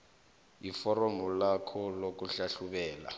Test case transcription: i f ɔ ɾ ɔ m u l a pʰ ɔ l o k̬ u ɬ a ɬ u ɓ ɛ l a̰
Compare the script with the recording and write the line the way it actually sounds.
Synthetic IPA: i f ɔ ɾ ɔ m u l a kʰ ɔ l o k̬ u ɬ a ɬ u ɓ ɛː l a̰